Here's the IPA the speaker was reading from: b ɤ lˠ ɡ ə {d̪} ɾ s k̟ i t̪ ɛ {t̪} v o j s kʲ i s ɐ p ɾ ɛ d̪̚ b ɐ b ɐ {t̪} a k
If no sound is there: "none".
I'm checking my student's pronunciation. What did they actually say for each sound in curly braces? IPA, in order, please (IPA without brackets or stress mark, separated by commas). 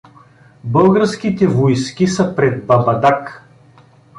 none, none, d̪